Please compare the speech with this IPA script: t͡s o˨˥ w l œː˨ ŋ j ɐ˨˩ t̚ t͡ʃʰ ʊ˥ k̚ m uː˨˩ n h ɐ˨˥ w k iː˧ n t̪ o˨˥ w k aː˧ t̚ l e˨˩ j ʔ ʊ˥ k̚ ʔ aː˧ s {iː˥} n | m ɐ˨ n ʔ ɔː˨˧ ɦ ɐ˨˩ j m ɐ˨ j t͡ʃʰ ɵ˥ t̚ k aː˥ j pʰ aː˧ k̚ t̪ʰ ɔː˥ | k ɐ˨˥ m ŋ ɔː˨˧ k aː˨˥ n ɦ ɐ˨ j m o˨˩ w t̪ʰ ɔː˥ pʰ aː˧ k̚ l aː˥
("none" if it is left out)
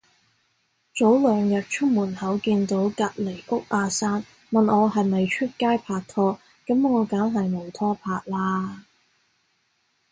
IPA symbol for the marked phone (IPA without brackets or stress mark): aː˥